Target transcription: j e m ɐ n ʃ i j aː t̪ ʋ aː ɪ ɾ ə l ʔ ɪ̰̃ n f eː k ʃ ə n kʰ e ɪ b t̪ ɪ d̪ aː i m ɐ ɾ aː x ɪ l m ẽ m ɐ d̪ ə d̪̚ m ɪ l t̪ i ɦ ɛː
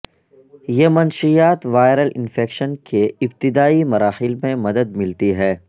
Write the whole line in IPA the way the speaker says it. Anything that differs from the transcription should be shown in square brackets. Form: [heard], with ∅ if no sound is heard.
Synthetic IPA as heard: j e m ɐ n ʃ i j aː t̪ ʋ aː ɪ ɾ ə l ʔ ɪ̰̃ n f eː k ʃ ə n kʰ e ɪ b t̪ ɪ d̪ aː i m ɐ ɾ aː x ɪ l m ẽ m ɐ d̪ ə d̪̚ m ɪ l t̪ i ɦ ɛː